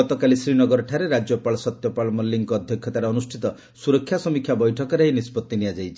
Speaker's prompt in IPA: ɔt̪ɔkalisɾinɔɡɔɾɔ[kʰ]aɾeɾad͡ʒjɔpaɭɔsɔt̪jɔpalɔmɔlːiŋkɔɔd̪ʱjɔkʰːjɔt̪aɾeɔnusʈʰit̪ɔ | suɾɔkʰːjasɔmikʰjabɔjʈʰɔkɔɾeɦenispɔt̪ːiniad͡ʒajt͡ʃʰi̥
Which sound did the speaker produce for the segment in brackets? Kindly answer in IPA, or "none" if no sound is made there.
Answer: ʈʰ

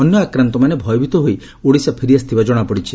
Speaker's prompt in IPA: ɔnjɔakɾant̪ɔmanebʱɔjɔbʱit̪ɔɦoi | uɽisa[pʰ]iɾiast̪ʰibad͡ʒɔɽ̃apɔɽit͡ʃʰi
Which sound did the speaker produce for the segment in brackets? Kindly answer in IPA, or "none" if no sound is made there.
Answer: pʰ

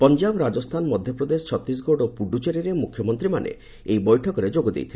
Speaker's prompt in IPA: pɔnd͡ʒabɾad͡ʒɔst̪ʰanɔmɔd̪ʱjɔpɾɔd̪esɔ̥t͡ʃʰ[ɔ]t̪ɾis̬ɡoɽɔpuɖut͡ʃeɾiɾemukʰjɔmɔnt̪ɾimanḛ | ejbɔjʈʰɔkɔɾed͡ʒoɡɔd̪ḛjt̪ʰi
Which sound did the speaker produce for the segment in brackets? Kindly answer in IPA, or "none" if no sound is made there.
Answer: ɔ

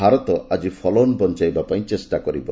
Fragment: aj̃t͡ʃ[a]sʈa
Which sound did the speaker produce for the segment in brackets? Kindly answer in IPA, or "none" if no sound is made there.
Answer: e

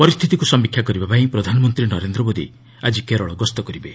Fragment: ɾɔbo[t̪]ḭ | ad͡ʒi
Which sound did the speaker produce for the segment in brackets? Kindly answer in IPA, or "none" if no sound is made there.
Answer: d̪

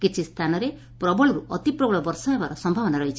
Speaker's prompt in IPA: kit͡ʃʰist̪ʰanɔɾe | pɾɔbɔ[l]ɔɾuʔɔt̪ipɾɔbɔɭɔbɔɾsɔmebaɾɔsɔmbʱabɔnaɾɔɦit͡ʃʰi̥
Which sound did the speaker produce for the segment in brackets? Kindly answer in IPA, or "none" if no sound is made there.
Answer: ɭ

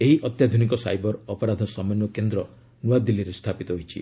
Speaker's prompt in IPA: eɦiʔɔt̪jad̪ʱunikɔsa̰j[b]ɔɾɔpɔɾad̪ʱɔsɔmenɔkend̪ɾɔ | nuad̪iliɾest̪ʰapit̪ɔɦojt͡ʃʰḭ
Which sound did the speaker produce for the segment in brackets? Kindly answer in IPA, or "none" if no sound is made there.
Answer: b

